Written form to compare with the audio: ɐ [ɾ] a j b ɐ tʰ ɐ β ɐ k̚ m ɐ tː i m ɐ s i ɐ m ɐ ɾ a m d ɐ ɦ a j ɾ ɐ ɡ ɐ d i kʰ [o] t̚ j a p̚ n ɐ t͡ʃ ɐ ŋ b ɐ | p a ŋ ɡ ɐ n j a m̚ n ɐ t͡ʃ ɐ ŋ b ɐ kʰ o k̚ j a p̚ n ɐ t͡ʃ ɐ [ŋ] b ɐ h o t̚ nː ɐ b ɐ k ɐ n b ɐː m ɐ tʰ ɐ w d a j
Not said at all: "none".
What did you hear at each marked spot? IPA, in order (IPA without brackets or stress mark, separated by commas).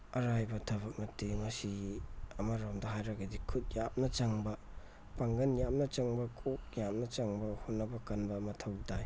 ɾ, u, ŋ